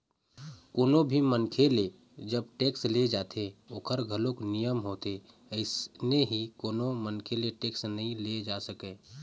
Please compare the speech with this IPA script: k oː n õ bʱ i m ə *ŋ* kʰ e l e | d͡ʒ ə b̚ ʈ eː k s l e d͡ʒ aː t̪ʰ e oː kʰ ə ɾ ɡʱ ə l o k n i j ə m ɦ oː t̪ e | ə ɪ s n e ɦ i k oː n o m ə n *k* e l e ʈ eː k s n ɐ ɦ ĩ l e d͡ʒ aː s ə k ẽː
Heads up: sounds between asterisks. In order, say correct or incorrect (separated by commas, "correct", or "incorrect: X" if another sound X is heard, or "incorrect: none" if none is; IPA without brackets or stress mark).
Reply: incorrect: n, incorrect: kʰ